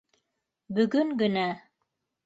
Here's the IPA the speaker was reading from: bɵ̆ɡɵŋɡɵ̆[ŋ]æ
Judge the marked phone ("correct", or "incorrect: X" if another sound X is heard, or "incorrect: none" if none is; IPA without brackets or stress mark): incorrect: n